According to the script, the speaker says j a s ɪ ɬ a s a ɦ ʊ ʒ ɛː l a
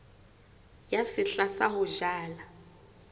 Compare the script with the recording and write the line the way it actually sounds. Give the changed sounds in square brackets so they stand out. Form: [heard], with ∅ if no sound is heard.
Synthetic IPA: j a s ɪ ɬ a s a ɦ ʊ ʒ [aː] l a